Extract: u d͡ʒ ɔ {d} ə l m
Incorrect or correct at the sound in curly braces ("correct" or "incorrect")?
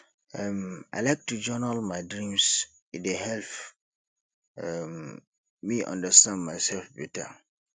incorrect